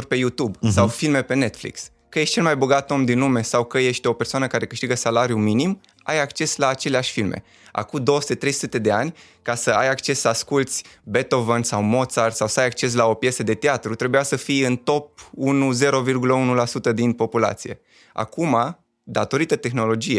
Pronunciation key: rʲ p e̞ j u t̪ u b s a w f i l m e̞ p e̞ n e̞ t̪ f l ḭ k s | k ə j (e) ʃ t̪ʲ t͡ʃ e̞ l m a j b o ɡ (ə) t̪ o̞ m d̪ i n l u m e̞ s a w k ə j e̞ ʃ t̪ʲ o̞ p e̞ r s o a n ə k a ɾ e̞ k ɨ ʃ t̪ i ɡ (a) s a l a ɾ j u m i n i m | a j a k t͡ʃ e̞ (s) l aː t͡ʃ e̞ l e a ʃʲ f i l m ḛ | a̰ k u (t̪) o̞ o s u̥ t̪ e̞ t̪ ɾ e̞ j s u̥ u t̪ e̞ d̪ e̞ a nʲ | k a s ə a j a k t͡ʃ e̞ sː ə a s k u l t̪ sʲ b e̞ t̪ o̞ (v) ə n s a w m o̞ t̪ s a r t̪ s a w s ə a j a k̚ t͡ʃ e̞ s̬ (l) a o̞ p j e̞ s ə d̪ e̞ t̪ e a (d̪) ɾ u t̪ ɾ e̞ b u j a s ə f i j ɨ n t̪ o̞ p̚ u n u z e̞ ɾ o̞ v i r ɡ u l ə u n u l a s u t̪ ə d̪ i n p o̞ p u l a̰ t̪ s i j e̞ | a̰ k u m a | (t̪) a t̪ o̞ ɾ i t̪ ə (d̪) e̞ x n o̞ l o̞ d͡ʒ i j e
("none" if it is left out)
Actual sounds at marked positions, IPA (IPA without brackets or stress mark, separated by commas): e, a, ə, s, d̪, v, l, t̪, d̪, t̪